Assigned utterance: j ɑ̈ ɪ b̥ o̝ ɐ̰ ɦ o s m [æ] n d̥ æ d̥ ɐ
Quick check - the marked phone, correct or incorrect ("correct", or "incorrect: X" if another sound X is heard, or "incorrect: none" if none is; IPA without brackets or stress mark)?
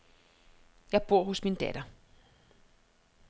incorrect: i